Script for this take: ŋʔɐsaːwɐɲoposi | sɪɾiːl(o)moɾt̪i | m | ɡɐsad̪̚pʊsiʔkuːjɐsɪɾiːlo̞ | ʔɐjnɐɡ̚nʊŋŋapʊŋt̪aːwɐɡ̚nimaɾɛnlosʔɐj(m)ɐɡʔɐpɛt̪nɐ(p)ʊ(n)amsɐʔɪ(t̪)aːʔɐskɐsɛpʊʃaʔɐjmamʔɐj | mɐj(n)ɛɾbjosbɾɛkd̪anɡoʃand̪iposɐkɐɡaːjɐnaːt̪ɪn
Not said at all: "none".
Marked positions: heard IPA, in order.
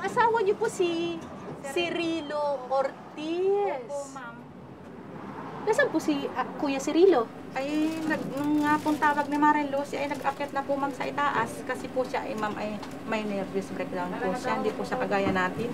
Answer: o, n, p, m, t̪, n

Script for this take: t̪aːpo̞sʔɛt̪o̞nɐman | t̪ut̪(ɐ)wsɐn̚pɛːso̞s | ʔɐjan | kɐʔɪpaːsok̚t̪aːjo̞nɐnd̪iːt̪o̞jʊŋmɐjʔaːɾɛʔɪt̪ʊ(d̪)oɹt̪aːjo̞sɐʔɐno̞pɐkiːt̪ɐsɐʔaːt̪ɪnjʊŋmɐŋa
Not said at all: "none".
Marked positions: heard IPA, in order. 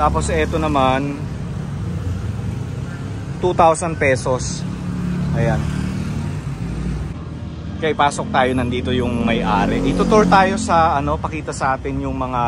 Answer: a, t̪

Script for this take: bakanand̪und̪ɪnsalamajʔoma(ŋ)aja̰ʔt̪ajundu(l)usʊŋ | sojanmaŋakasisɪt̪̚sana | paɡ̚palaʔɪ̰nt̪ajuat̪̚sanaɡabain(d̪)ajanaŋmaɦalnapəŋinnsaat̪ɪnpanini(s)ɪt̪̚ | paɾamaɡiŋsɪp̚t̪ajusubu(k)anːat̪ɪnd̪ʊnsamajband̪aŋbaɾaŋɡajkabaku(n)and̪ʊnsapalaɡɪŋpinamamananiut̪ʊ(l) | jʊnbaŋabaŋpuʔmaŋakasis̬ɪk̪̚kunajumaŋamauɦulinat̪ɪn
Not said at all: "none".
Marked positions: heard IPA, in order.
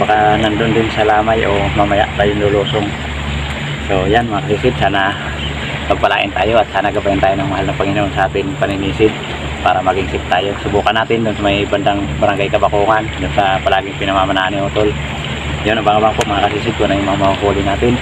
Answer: m, l, t̪, s, k, ŋ, l

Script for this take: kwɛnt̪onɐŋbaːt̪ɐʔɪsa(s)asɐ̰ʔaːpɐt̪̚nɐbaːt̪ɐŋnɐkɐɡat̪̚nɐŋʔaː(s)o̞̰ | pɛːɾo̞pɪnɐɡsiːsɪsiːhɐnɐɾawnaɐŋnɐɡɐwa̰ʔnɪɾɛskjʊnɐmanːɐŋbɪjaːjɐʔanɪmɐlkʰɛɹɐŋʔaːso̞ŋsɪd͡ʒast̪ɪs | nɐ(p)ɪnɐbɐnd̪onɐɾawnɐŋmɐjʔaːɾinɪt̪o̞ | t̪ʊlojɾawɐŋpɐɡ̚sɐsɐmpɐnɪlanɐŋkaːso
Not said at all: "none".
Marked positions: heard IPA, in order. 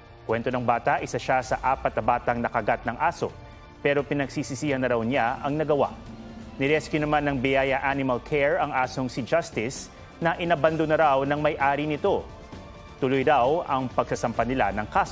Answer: ʃ, s, ʔ

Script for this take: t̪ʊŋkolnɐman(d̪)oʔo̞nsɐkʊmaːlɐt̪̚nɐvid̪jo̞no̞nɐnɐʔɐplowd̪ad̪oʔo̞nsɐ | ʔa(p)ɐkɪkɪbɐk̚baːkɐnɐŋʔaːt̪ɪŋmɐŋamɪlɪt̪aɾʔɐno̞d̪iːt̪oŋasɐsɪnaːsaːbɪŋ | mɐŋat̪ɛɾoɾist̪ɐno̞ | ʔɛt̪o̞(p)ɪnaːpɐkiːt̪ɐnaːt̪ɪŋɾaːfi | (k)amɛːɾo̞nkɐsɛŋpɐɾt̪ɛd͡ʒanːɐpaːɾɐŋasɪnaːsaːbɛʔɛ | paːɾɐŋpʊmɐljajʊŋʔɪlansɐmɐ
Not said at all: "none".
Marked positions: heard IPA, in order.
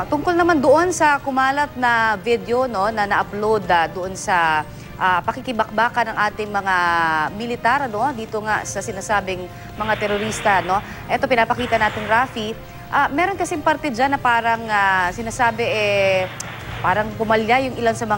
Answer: d̪, p, p, ʔ

